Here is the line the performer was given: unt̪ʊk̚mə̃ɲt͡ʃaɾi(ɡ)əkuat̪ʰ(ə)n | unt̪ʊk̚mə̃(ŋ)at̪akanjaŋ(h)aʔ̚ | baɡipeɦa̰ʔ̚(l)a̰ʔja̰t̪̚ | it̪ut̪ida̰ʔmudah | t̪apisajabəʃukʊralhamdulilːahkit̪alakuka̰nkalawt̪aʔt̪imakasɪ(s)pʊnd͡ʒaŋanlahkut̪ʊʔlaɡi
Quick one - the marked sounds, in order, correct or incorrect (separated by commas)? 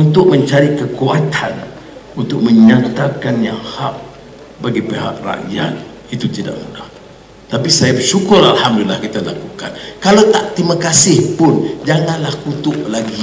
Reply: incorrect, incorrect, incorrect, correct, incorrect, incorrect